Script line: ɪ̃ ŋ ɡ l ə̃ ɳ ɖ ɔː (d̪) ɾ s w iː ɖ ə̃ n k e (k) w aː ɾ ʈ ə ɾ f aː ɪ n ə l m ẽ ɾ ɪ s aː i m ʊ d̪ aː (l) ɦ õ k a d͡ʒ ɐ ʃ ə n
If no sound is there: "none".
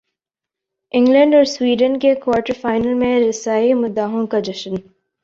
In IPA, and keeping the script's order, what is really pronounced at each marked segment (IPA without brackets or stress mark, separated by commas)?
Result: none, k, none